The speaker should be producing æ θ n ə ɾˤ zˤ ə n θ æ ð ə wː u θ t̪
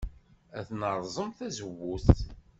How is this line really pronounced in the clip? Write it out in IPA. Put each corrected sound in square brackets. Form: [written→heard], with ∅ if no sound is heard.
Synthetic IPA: æ θ n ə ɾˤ zˤ ə [n→m] θ æ [ð→z] ə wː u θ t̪